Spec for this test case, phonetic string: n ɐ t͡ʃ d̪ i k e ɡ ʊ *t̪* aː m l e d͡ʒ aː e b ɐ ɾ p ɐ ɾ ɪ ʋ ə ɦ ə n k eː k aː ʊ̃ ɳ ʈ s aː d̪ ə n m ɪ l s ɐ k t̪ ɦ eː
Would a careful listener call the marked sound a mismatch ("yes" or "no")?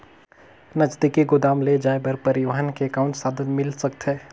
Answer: yes